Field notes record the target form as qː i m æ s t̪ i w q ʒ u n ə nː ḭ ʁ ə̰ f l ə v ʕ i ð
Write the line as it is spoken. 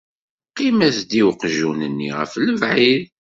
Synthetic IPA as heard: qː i m æ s d̪ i w q ʒ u n ə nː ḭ ʁ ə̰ f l ə v ʕ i ð